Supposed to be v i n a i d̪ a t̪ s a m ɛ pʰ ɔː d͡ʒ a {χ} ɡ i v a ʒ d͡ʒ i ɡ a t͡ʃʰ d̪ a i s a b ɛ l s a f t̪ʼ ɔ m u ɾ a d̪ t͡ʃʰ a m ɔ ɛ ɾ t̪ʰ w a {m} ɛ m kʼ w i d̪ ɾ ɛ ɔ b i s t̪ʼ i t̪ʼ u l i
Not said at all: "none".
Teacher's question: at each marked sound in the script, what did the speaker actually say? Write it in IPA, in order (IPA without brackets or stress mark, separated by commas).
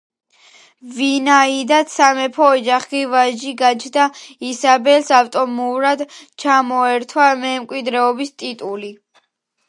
χ, m